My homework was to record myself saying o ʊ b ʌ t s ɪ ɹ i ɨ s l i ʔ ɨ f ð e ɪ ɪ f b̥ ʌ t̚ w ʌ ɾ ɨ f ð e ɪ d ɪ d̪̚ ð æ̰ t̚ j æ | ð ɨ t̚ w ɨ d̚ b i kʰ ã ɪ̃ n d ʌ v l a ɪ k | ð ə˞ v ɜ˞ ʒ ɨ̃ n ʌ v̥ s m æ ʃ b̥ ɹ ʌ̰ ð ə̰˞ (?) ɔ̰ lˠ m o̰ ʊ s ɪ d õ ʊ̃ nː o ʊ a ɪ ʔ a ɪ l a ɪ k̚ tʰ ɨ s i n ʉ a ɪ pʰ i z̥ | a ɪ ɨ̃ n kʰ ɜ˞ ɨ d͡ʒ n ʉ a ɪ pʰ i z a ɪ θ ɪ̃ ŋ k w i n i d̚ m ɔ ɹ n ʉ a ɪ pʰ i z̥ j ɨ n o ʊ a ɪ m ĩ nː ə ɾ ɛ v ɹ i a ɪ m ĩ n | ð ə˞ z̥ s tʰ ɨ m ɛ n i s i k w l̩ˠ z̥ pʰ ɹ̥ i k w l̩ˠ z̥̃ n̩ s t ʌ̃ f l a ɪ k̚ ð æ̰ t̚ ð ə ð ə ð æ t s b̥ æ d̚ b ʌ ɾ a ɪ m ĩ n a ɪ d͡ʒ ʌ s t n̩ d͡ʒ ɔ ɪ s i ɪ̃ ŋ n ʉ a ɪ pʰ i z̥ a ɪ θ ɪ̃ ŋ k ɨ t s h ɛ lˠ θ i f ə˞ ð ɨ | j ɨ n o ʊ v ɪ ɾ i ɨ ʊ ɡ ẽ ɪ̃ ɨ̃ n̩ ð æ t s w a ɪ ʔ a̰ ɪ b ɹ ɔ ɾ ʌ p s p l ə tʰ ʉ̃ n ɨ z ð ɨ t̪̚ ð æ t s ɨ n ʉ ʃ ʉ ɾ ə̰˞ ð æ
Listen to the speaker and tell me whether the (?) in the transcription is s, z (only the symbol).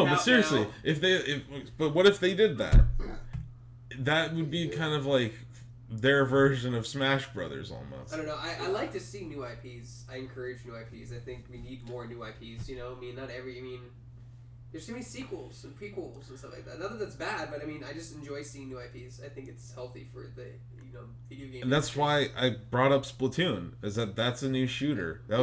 z